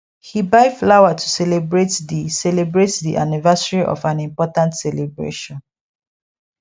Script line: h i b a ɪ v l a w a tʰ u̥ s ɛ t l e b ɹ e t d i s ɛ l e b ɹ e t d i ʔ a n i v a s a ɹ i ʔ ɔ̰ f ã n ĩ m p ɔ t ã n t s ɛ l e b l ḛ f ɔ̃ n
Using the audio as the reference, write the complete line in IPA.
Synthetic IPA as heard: h i b a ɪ f l a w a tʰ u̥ s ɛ l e b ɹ e t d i s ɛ l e b ɹ e t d i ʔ a n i v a s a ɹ i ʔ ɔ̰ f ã n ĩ m p ɔ t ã n t s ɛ l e b ɹ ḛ ʃ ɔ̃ n